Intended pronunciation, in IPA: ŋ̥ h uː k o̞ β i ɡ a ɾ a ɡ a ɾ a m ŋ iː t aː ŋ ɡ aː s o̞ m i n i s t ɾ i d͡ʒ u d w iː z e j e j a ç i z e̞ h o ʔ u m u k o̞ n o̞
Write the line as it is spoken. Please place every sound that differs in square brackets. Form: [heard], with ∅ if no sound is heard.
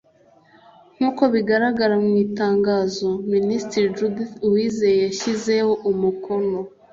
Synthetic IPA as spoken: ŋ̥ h uː k o̞ β i ɡ a ɾ a ɡ a ɾ a m ŋ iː t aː ŋ ɡ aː [z] o̞ m i n i s t ɾ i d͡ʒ u d w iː z e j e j a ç i z e̞ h o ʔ u m u k o̞ n o̞